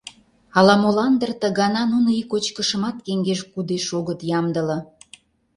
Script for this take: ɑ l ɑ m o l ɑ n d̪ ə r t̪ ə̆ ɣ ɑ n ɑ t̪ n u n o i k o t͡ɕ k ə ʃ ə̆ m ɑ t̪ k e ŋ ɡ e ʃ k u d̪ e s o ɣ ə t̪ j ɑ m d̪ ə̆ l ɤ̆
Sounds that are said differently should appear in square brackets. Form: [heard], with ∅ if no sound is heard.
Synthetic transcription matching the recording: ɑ l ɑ m o l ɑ n d̪ ə r t̪ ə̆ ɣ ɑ n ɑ [∅] n u n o i k o t͡ɕ k ə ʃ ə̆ m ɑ t̪ k e ŋ ɡ e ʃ k u d̪ e [ʃ] o ɣ ə t̪ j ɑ m d̪ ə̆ l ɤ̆